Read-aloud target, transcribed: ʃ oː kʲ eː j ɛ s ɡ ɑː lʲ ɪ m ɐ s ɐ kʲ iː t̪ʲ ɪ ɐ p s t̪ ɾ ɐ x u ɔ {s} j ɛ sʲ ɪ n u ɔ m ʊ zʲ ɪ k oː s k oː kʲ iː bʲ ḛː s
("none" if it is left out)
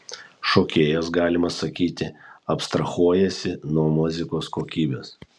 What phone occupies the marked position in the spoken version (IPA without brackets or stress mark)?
none